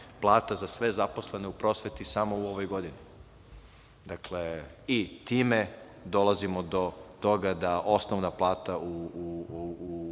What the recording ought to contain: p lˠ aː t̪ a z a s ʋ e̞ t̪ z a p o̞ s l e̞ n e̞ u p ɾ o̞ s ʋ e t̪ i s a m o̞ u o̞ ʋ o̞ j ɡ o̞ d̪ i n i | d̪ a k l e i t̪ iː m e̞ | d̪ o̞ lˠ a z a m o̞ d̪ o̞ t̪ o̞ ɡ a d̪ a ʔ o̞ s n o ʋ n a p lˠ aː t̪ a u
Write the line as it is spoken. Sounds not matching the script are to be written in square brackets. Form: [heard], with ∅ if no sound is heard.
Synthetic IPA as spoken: p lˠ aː t̪ a z a s ʋ e̞ [∅] z a p o̞ s l e̞ n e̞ u p ɾ o̞ s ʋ e t̪ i s a m o̞ u o̞ ʋ o̞ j ɡ o̞ d̪ i n i | d̪ a k l e i t̪ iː m e̞ | d̪ o̞ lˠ a z [i] m o̞ d̪ o̞ t̪ o̞ ɡ a d̪ a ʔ o̞ s n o ʋ n a p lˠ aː t̪ a u